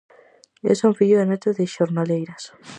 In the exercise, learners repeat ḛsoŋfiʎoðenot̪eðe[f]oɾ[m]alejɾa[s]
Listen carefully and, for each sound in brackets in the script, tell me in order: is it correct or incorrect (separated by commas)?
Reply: incorrect, incorrect, correct